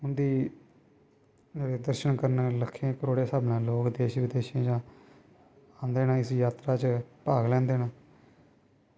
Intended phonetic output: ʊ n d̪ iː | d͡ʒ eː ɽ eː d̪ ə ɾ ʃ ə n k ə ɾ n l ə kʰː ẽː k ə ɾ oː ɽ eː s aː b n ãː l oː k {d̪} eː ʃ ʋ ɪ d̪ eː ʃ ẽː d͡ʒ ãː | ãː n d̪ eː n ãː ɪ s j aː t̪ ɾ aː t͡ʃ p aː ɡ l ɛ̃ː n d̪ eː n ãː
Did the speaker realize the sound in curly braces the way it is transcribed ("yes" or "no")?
yes